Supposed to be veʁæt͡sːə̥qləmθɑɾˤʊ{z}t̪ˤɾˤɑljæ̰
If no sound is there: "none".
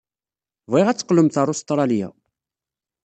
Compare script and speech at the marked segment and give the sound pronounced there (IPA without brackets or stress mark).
s